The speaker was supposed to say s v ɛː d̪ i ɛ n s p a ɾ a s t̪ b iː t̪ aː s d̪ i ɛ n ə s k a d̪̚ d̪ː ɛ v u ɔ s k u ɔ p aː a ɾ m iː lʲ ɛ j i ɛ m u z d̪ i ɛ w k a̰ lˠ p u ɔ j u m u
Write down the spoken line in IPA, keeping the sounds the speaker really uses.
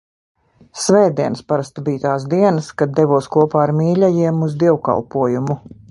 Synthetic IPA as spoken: s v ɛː d̪ i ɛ n s p a ɾ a s t̪ b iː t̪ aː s d̪ i ɛ n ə s k a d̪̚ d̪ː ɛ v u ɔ s k u ɔ p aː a ɾ m iː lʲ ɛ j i ɛ m u z d̪ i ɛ w k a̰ lˠ p u ɔ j u m u